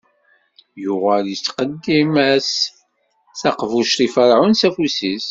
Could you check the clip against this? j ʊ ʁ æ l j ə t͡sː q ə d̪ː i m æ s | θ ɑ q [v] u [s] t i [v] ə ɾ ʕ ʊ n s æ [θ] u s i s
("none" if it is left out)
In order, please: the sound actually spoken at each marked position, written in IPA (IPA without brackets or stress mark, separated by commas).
v, ʃ, f, f